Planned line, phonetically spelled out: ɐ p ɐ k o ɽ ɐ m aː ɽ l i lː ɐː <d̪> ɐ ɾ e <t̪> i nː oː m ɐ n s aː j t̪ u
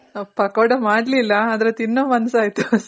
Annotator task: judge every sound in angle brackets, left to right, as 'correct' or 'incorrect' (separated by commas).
correct, correct